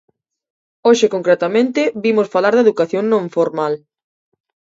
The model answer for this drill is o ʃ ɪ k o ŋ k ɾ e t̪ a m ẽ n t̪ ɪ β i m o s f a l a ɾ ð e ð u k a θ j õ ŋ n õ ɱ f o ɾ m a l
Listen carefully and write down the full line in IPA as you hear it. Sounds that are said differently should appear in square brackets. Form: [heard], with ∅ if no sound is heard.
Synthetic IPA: o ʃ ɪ k o ŋ k ɾ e t̪ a m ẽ n t̪ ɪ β i m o s f a l a ɾ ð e ð u k a θ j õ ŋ n õ ɱ f o ɾ m a l